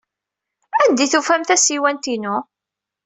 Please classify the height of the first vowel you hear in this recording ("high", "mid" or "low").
low